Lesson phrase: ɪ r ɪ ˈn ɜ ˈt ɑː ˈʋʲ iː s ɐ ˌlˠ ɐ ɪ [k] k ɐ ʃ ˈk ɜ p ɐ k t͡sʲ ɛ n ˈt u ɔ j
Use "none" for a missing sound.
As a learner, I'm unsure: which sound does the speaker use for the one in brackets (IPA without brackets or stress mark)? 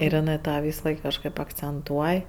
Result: k